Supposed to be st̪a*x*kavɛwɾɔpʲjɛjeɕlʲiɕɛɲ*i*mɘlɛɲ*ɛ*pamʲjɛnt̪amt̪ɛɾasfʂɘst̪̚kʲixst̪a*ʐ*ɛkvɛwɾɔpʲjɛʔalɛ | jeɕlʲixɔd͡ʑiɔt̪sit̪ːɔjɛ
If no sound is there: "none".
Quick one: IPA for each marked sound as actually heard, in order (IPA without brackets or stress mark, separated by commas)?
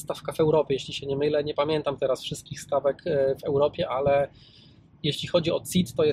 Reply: f, ɛ, ɛ, v